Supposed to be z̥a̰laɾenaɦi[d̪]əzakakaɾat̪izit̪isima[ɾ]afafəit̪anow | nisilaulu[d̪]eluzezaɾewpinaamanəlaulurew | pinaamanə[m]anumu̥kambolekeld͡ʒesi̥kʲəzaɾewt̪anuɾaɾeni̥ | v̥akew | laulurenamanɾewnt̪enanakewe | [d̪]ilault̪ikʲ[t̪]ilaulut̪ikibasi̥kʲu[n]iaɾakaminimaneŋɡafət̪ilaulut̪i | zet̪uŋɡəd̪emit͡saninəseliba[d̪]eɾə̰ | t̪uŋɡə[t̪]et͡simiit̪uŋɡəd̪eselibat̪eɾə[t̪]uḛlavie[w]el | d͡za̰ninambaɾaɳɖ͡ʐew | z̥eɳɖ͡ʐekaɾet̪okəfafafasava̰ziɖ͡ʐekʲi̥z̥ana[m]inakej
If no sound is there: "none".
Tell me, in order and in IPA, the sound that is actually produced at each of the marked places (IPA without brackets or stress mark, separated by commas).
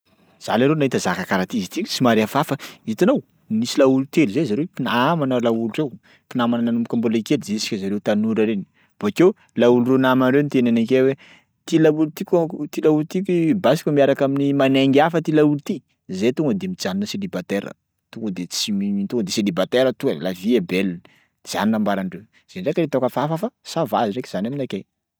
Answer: t̪, ɾ, t̪, n, t̪, t̪, m, t̪, d̪, t̪, b, m